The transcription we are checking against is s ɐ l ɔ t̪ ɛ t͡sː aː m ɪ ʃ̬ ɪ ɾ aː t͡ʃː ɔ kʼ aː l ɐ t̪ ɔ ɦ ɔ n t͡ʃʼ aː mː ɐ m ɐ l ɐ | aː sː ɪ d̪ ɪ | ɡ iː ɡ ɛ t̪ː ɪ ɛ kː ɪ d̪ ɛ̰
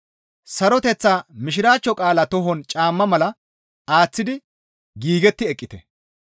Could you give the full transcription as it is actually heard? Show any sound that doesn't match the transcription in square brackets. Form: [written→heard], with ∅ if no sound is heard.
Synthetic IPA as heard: s ɐ [l→ɾ] ɔ t̪ ɛ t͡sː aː m ɪ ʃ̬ ɪ ɾ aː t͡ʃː ɔ kʼ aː l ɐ t̪ ɔ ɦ ɔ n t͡ʃʼ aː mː ɐ m ɐ l ɐ | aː [sː→t͡sː] ɪ d̪ ɪ | ɡ iː ɡ ɛ t̪ː ɪ ɛ [kː→kʼː] ɪ [d̪→t̪] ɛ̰